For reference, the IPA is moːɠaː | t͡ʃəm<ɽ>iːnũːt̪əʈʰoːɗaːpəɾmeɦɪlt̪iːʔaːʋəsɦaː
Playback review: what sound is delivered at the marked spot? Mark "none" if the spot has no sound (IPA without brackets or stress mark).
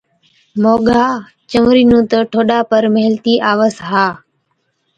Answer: ɾ